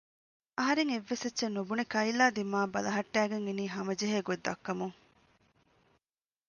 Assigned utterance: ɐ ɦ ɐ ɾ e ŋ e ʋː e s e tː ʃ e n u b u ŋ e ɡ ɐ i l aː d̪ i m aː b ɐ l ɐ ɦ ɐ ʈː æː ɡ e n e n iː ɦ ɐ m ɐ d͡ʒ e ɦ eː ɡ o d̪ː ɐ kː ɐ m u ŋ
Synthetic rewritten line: ɐ ɦ ɐ ɾ e ŋ e ʋː e s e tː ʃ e n u b u n e k ɐ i l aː d̪ i m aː b ɐ l ɐ ɦ ɐ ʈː æː ɡ e ŋ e n iː ɦ ɐ m ɐ d͡ʒ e ɦ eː ɡ o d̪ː ɐ kː ɐ m u ŋ